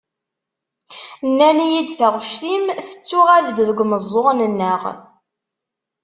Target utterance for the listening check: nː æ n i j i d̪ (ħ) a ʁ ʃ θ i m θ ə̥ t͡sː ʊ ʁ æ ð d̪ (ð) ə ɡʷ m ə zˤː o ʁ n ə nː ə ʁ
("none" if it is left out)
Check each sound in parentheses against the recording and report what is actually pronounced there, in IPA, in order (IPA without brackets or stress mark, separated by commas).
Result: θ, ð